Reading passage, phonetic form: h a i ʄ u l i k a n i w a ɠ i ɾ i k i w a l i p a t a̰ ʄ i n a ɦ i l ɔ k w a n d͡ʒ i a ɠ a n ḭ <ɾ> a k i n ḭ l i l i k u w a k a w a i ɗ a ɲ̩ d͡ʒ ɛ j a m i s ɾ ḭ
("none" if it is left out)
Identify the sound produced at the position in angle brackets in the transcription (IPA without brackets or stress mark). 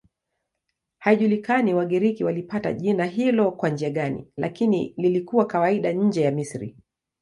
l